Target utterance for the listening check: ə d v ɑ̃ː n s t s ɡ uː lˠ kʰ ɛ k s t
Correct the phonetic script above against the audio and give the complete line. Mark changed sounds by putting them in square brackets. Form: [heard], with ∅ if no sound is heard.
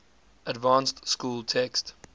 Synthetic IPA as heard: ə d v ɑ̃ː n s t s [k] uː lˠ [tʰ] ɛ k s t